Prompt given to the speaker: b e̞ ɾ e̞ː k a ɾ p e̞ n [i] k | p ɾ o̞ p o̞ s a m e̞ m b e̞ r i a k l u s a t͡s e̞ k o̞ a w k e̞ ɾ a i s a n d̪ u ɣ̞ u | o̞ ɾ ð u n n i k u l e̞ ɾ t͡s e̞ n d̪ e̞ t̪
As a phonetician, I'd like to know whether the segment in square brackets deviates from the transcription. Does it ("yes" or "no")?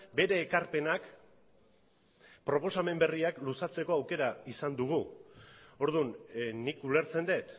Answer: yes